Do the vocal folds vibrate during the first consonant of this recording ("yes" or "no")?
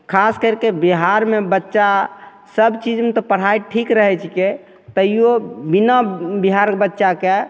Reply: no